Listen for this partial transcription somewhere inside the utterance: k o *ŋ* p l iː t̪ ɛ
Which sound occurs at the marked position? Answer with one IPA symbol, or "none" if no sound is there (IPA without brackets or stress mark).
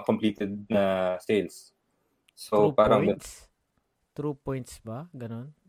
m